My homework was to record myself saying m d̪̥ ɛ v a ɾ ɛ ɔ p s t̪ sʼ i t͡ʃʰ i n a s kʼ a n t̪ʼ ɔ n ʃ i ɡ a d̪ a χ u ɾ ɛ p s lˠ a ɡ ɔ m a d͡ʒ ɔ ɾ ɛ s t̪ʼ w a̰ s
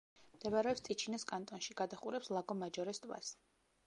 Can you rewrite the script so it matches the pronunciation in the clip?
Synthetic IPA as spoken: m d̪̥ ɛ v a ɾ ɛ ɔ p s t̪ sʼ i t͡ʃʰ i n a s kʼ a n t̪ʼ ɔ n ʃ i ɡ a d̪ a χ u ɾ ɛ p s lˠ a ɡ ɔ m a d͡ʒ ɔ ɾ ɛ s t̪ʼ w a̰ s